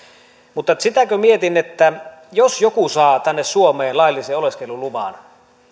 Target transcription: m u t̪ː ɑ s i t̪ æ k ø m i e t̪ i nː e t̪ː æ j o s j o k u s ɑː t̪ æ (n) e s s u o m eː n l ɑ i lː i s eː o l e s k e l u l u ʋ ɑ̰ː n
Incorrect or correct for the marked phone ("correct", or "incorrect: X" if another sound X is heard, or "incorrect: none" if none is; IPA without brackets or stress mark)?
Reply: incorrect: nː